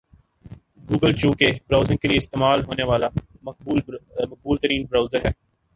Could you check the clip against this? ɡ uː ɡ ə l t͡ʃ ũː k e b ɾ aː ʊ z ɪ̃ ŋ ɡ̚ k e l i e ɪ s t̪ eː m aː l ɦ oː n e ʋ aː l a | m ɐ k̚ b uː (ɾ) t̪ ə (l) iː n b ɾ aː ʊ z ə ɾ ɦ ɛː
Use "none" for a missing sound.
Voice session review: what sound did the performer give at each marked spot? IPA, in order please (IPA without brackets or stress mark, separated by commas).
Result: l, ɾ